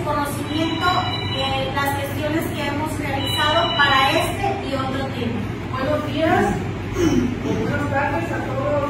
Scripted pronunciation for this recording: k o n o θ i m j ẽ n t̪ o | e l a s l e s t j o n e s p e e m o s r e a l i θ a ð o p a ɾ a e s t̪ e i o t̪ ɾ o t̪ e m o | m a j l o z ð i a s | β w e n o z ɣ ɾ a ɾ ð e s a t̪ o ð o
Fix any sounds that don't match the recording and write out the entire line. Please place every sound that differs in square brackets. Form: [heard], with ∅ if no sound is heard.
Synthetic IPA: k o n o θ i m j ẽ n t̪ o | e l a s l e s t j o n e s [k] e e m o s r e a l i θ a ð o p a ɾ a e s t̪ e i o t̪ ɾ o t̪ e m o | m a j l o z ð i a s | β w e n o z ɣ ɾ a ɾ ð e s a t̪ o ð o